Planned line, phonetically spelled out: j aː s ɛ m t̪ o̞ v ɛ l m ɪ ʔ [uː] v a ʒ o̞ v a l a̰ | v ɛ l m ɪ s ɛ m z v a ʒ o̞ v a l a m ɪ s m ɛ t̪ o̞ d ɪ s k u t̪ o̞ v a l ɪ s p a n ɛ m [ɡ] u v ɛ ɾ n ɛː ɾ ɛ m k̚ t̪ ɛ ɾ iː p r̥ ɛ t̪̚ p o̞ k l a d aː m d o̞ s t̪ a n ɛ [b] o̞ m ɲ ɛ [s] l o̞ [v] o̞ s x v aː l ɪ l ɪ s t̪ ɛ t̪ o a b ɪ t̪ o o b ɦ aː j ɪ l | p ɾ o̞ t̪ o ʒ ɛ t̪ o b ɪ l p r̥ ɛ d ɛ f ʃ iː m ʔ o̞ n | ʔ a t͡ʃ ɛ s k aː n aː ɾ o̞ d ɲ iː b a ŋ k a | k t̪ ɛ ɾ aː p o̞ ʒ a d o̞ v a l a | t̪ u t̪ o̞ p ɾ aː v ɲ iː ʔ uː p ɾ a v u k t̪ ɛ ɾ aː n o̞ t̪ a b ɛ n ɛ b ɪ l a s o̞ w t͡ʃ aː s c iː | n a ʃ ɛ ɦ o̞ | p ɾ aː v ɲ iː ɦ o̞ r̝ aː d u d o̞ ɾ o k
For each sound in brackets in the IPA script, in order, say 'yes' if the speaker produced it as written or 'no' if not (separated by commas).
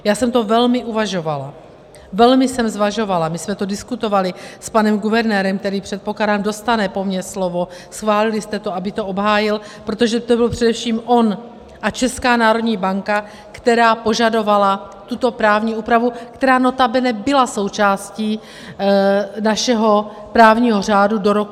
no, yes, no, yes, yes